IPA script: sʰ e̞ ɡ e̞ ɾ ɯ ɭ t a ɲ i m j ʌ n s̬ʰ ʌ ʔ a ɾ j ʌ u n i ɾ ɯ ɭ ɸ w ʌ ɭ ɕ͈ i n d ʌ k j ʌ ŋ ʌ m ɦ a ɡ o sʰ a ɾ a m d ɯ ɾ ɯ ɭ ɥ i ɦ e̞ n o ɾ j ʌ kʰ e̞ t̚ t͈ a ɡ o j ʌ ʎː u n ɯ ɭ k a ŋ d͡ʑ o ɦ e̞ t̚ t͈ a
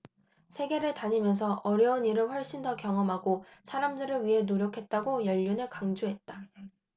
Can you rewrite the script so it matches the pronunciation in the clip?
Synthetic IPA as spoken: sʰ e̞ ɡ e̞ ɾ ɯ ɭ t a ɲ i m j ʌ n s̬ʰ ʌ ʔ ʌ ɾ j ʌ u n i ɾ ɯ ɭ ɸ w ʌ ɭ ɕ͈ i n d ʌ k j ʌ ŋ ʌ m ɦ a ɡ o sʰ a ɾ a m d ɯ ɾ ɯ ɭ ɥ i ɦ e̞ n o ɾ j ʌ kʰ e̞ t̚ t͈ a ɡ o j ʌ ʎː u n ɯ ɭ k a ŋ d͡ʑ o ɦ e̞ t̚ t͈ a

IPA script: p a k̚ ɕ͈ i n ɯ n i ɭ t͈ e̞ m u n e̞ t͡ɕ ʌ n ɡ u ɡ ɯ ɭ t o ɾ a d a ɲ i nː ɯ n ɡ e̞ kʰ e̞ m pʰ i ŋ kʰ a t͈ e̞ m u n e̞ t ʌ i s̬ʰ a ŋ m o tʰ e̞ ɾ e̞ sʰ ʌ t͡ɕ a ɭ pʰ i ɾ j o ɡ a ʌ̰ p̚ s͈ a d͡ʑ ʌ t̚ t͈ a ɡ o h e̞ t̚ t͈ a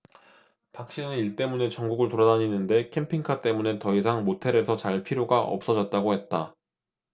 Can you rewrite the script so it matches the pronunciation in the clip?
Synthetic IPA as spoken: p a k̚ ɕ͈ i n ɯ n i ɭ t͈ e̞ m u n e̞ t͡ɕ ʌ ŋ ɡ u ɡ ɯ ɭ t o ɾ a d a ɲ i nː ɯ n d e̞ kʰ e̞ m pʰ i ŋ kʰ a t͈ e̞ m u n e̞ t ʌ i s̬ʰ a ŋ m o tʰ e̞ ɾ e̞ sʰ ʌ t͡ɕ a ɭ pʰ i ɾ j o ɡ a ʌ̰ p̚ s͈ ʌ d͡ʑ ʌ t̚ t͈ a ɡ o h e̞ t̚ t͈ a

